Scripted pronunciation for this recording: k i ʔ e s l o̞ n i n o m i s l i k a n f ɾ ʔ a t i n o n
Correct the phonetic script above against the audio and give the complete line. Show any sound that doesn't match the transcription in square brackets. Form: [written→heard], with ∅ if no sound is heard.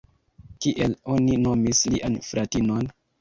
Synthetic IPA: k i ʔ e [s→∅] l o̞ n i n o m i s l i [k→ʔ] a n f ɾ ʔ a t i n o n